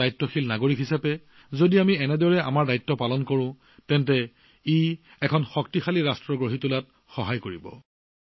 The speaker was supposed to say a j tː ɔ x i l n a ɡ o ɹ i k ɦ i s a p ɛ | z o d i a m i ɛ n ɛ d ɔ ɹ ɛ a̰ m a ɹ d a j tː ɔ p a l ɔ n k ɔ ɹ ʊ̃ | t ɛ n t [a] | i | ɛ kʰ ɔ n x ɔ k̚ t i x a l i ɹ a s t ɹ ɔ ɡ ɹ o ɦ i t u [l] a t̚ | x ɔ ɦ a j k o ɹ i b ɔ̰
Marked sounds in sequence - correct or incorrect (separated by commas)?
incorrect, correct